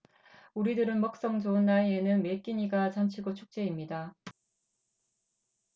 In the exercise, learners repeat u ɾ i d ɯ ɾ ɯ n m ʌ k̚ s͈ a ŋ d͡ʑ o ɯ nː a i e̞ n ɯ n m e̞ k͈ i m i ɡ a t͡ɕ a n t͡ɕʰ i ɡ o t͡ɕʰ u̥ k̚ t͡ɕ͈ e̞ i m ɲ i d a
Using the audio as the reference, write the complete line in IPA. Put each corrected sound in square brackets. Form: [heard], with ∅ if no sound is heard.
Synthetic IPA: u ɾ i d ɯ ɾ ɯ n m ʌ k̚ s͈ [ʌ] ŋ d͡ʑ o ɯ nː a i e̞ n ɯ n m e̞ k͈ i [ɲ] i ɡ a t͡ɕ a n t͡ɕʰ i ɡ o t͡ɕʰ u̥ k̚ t͡ɕ͈ e̞ i m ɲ i d a